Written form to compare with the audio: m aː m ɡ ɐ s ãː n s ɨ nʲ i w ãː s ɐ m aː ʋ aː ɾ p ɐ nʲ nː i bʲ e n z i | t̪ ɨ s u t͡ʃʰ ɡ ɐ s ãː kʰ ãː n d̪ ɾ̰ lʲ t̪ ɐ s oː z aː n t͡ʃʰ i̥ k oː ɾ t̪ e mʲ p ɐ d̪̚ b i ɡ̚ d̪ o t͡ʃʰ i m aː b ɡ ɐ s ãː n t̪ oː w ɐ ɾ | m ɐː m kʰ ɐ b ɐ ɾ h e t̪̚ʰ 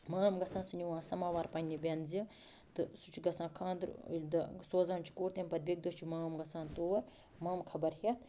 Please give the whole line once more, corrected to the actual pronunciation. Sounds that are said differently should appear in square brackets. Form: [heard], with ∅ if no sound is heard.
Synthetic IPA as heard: m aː m ɡ ɐ s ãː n s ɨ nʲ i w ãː s ɐ m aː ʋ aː ɾ p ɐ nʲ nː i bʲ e n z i | t̪ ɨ s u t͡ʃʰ ɡ ɐ s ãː kʰ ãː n d̪ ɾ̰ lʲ [d̪] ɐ s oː z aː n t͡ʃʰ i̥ k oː ɾ t̪ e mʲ p ɐ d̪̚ b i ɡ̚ d̪ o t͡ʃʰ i m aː [m] ɡ ɐ s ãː n t̪ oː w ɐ ɾ | m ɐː m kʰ ɐ b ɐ ɾ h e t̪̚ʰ